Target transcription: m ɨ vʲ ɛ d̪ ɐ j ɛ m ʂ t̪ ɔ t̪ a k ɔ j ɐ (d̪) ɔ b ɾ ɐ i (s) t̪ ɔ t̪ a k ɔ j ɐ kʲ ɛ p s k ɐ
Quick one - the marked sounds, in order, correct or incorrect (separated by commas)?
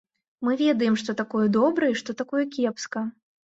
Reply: correct, incorrect